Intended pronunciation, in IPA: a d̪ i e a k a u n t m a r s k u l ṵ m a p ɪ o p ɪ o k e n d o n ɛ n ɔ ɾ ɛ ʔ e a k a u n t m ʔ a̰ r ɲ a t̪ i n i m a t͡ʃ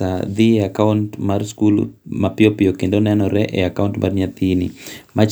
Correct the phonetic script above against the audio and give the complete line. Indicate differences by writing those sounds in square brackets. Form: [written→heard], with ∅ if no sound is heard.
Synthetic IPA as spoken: a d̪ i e a k a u n t m a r s k u l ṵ m a p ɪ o p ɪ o k e n d o n ɛ n ɔ ɾ ɛ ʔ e a k a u n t m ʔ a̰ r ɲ a t̪ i n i m a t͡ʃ

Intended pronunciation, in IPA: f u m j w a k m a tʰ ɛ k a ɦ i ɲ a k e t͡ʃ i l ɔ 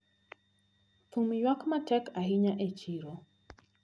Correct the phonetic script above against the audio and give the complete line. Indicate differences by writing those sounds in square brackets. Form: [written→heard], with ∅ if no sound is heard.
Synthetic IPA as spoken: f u m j w a k m a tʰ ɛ k a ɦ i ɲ a [k→ʔ] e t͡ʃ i [l→ɾ] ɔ

